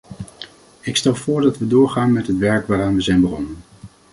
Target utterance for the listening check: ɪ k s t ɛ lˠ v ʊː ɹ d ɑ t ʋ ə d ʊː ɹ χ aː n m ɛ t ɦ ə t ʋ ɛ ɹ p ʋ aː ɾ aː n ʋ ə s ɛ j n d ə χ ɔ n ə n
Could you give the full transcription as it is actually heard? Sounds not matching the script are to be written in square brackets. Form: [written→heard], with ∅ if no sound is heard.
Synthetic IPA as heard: ɪ k s t ɛ lˠ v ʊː ɹ d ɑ t ʋ ə d ʊː ɹ χ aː n m ɛ t ɦ ə t ʋ ɛ ɹ [p→k] ʋ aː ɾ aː n ʋ ə [s→z] ɛ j n [d→b] ə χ ɔ n ə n